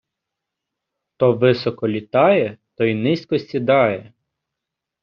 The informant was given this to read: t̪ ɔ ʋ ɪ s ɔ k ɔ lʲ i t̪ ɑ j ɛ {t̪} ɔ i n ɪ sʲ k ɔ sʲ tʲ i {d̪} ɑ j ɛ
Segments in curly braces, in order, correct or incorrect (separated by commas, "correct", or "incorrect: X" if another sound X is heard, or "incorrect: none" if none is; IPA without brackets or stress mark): correct, correct